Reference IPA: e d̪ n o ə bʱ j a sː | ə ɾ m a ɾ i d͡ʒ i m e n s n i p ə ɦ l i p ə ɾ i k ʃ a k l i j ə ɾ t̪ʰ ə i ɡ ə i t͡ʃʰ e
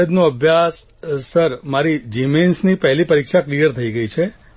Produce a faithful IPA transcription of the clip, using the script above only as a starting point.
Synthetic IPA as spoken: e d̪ n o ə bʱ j a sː | ə ɾ m a ɾ i d͡ʒ i m e n s n i p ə ɦ l i p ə ɾ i k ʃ a k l i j ə ɾ t̪ʰ ə i ɡ ə i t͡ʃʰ e